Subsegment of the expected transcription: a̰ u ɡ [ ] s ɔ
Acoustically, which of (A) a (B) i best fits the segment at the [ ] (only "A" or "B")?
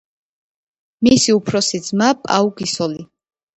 B